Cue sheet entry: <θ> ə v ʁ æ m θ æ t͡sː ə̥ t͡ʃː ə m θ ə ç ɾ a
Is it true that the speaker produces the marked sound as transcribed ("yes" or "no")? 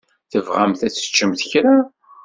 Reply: yes